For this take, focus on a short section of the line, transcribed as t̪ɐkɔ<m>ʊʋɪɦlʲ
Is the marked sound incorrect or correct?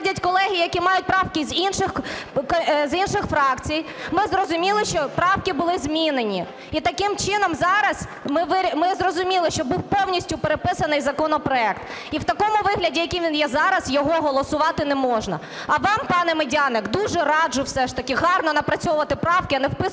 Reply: correct